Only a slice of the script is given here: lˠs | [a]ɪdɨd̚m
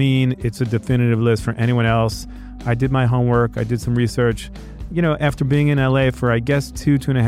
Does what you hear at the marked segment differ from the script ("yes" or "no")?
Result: no